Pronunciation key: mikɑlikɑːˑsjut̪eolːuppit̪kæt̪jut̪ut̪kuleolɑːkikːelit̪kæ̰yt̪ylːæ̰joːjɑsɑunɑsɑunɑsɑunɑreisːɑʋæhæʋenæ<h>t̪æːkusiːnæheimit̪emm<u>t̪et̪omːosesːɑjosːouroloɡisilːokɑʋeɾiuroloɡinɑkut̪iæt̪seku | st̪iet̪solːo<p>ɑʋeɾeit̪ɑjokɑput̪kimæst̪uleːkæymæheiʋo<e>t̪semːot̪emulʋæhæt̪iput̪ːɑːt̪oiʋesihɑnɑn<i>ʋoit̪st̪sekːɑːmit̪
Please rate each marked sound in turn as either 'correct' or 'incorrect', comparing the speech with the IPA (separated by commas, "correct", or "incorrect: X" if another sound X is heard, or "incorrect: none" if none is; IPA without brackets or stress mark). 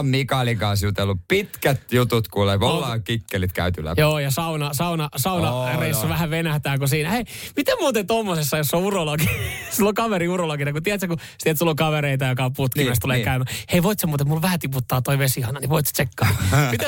correct, incorrect: uː, incorrect: k, incorrect: i, correct